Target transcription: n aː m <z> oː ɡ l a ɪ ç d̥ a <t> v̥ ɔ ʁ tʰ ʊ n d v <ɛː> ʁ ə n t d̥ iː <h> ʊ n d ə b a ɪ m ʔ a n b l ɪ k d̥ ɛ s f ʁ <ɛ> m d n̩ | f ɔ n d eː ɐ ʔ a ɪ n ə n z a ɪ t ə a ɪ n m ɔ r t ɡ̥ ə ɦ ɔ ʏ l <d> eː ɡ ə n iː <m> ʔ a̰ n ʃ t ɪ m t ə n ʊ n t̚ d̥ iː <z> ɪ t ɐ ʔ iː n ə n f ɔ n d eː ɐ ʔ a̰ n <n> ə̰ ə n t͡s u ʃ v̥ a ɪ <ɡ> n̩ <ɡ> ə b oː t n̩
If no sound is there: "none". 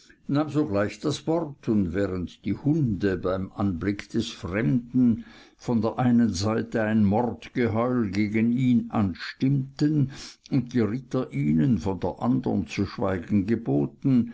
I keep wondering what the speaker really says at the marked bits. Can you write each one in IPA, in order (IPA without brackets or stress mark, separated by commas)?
z, s, ɛː, h, ɛ, ɡ, n, ʁ, d, ɡ, ɡ